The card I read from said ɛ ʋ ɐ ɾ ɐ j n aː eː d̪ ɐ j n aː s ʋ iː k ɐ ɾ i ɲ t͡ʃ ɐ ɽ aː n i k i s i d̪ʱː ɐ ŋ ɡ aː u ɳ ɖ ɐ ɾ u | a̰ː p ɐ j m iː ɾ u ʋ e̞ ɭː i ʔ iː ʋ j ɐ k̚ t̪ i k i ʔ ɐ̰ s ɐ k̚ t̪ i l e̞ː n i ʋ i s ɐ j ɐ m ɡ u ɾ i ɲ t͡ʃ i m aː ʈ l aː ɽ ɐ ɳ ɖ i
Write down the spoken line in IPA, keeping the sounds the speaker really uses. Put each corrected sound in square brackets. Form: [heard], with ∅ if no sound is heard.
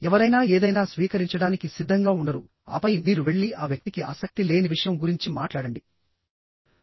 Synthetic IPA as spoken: ɛ ʋ ɐ ɾ ɐ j n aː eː d̪ ɐ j n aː s ʋ iː k ɐ ɾ i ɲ t͡ʃ ɐ ɽ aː n i k i s i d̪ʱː ɐ ŋ ɡ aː u ɳ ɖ ɐ ɾ u | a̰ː p ɐ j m iː ɾ u ʋ e̞ ɭː i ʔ [aː] ʋ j ɐ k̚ t̪ i k i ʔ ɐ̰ s ɐ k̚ t̪ i l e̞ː n i ʋ i [ʂ] ɐ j ɐ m ɡ u ɾ i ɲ t͡ʃ i m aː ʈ l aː ɽ ɐ ɳ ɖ i